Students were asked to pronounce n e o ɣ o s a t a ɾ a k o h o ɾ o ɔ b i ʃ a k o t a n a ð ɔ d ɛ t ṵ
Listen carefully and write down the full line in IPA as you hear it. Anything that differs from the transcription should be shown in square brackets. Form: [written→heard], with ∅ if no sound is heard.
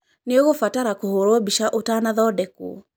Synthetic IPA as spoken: n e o ɣ o [s→f] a t a ɾ a k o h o ɾ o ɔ b i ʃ a [k→ʔ] o t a n a ð ɔ d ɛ [t→k] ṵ